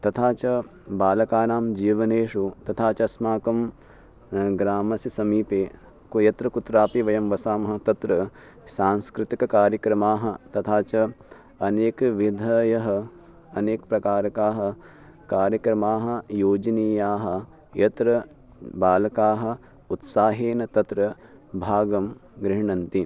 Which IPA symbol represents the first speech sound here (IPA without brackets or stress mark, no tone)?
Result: t̪